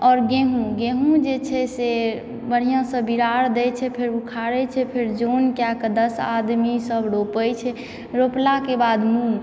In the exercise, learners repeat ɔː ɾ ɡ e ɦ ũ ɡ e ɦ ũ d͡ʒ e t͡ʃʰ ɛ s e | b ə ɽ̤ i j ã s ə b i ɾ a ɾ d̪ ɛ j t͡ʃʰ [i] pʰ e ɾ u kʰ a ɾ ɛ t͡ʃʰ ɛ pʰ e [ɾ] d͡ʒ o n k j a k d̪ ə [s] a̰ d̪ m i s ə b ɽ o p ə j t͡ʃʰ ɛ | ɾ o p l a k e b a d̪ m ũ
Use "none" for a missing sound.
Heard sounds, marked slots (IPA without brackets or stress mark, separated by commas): ɛ, ɾ, s